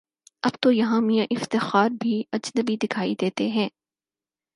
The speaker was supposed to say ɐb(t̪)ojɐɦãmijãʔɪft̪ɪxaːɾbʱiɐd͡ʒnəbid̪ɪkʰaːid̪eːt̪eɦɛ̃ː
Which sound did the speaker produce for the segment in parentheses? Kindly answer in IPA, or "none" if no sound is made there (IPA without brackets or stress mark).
t̪